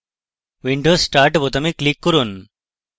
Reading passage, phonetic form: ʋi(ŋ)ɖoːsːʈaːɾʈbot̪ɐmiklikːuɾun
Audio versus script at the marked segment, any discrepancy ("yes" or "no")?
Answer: yes